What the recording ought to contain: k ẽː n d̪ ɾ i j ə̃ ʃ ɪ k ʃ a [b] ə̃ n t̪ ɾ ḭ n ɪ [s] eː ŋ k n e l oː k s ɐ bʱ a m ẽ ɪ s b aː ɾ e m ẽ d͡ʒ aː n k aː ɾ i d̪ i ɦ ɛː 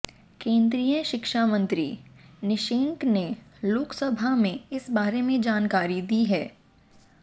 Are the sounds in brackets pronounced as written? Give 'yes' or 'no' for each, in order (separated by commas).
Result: no, no